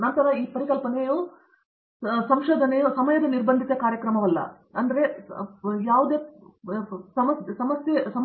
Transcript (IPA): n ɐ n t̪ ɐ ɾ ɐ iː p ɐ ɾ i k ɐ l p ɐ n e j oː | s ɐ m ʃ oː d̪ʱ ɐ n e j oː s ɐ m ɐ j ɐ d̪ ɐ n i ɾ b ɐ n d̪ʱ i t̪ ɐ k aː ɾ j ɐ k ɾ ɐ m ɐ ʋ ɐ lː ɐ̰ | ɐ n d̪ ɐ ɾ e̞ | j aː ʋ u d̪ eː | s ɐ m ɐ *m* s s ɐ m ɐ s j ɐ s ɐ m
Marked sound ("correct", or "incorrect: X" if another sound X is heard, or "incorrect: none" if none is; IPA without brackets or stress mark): incorrect: none